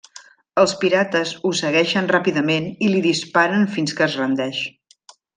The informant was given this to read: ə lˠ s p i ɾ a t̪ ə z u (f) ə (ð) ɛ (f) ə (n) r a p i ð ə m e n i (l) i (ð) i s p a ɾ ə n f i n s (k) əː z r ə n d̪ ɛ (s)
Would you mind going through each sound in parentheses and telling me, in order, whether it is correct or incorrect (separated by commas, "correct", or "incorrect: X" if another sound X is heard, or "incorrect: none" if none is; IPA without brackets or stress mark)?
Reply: incorrect: s, incorrect: ɣ, incorrect: ʃ, correct, correct, correct, correct, incorrect: ʃ